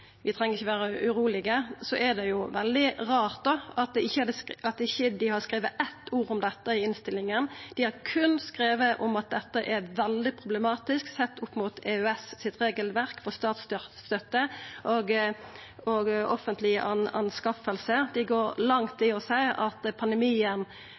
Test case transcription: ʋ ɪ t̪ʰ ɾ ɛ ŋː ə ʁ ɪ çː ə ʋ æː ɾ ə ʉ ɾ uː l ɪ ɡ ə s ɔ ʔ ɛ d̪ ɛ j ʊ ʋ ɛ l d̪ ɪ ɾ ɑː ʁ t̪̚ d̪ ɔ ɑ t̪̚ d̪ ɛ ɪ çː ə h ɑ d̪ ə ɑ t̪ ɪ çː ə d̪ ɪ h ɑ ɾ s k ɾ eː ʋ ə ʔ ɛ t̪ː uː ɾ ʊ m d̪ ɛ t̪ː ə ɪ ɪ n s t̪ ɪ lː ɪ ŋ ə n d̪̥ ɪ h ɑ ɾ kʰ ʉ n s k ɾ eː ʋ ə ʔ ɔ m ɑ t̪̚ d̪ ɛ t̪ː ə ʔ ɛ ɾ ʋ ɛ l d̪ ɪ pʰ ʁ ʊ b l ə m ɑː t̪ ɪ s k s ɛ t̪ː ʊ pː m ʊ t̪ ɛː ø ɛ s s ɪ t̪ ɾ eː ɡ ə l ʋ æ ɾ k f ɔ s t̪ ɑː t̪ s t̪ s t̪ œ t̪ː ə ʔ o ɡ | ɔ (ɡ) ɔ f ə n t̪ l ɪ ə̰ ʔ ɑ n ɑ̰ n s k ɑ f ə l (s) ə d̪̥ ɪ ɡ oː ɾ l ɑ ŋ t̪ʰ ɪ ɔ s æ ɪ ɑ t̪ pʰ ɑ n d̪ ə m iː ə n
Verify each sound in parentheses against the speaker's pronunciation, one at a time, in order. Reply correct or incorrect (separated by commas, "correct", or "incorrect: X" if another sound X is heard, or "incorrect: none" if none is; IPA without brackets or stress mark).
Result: correct, correct